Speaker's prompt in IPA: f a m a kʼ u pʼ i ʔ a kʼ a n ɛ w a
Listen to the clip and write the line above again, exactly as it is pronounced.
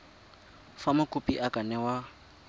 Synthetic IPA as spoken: f a m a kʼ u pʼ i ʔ a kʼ a n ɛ w a